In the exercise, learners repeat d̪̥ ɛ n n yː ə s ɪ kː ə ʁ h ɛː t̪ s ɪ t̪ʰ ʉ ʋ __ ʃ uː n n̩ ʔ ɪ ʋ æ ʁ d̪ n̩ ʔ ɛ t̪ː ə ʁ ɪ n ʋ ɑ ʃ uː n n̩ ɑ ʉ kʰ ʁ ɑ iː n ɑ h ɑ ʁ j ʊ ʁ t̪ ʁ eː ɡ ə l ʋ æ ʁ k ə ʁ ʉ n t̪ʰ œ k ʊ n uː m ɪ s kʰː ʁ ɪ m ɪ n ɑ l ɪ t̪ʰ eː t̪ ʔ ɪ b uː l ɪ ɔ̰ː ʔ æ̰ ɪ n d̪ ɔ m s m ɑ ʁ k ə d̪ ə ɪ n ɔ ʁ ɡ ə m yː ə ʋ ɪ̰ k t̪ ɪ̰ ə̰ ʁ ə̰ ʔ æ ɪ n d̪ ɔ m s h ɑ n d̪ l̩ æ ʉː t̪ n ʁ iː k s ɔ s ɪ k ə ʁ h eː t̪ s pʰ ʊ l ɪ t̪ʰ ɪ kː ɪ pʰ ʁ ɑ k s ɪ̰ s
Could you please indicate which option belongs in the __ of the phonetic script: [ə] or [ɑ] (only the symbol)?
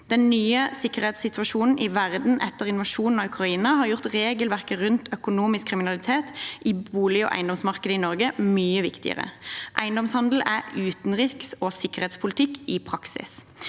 ɑ